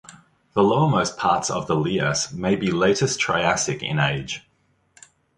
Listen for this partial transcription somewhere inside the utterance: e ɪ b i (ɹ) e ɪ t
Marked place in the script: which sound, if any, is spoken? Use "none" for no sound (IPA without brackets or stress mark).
l